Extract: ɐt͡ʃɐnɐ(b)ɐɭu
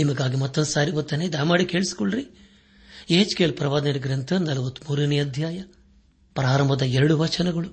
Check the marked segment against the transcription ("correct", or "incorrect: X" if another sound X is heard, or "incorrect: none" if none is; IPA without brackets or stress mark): incorrect: ɡ